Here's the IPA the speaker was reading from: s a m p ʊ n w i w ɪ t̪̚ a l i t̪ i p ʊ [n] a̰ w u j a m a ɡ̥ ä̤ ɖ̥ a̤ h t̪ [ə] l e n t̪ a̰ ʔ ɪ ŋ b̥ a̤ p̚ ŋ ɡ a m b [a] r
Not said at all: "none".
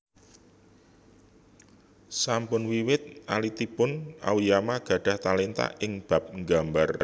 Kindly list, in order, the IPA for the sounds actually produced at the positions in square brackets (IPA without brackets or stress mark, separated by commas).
n, a, a